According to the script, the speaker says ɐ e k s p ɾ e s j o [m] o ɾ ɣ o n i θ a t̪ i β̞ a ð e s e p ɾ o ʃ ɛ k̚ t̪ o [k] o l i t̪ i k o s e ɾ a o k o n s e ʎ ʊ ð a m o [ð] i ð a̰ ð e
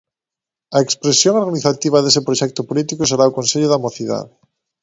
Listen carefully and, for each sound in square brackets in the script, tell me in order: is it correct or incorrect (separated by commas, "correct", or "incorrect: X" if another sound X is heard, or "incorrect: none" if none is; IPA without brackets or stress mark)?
incorrect: ŋ, incorrect: p, incorrect: θ